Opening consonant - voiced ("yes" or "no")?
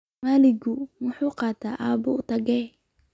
yes